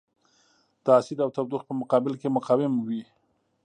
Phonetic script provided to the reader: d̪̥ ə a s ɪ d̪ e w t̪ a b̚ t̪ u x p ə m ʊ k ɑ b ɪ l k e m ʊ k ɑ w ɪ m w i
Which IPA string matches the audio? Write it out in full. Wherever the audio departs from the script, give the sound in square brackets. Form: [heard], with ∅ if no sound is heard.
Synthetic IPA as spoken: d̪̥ ə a s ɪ d̪ [a] w t̪ a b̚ [d̪] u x p ə m ʊ [q] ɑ b ɪ l k e m ʊ [q] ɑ w ɪ m w i